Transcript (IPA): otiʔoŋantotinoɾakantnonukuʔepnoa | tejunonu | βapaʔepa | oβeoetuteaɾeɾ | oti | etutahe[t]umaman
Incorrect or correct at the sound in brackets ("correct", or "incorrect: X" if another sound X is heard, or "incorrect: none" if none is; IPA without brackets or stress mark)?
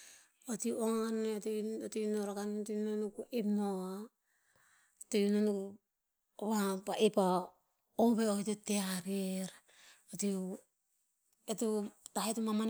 correct